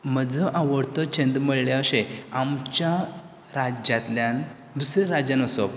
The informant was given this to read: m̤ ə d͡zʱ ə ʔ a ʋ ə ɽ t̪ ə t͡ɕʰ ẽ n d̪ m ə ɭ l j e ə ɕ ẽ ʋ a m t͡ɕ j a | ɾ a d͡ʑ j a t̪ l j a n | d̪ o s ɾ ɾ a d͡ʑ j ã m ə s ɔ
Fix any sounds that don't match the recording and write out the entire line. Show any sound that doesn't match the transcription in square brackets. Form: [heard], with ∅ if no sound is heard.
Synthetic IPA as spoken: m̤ ə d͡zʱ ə ʔ a ʋ ə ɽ t̪ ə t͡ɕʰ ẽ n d̪ m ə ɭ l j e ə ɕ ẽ [∅] a m t͡ɕ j a | ɾ a d͡ʑ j a t̪ l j a n | d̪ [u] s ɾ ɾ a d͡ʑ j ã [n] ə s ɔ